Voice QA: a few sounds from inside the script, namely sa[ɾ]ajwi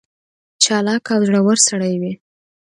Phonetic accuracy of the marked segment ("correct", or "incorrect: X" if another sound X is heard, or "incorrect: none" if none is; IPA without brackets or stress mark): incorrect: ɽ